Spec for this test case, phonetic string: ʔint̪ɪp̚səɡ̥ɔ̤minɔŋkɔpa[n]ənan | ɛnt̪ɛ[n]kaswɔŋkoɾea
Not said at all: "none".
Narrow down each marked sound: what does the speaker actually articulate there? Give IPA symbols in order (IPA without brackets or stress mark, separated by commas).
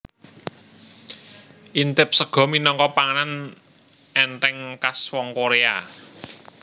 ŋ, ŋ